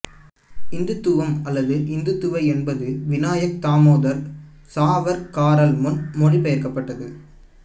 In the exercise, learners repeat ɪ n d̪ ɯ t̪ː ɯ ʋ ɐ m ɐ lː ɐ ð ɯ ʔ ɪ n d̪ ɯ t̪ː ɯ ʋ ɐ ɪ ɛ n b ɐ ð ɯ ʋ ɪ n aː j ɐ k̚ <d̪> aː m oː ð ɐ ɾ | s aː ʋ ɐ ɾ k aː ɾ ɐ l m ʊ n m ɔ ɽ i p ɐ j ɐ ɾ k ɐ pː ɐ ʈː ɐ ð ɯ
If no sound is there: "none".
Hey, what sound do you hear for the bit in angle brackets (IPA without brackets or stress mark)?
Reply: t̪